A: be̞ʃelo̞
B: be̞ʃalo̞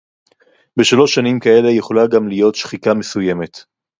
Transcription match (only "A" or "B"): B